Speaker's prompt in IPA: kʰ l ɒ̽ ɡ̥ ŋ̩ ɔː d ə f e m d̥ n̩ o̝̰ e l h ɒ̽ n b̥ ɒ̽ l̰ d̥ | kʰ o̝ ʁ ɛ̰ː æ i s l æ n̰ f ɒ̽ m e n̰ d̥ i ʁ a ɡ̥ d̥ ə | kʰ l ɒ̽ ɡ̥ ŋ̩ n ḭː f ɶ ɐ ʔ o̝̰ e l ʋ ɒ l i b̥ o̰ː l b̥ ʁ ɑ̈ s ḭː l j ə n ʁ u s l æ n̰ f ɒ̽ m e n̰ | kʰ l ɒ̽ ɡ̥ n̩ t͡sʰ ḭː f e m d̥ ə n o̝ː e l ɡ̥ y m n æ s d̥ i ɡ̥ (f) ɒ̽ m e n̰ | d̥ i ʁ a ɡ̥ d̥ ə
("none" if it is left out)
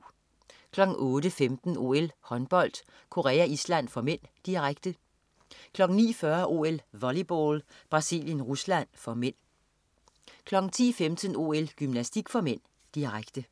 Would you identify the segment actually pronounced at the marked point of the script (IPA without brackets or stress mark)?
f